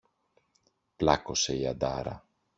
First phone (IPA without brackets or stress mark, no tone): p